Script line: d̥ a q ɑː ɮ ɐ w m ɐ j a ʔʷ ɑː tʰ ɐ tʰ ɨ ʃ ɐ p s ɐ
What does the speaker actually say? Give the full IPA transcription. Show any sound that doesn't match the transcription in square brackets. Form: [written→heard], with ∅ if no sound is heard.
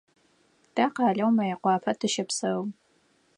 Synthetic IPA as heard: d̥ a q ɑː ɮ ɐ w m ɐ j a [ʔʷ→qʷ] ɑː [tʰ→pʰ] ɐ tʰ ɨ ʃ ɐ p s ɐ